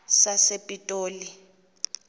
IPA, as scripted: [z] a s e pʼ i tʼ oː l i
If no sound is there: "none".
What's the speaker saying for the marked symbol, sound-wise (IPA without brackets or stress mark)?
s